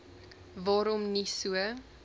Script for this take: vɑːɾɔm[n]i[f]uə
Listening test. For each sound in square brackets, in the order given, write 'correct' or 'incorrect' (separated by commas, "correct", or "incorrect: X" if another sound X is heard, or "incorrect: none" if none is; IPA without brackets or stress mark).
correct, incorrect: s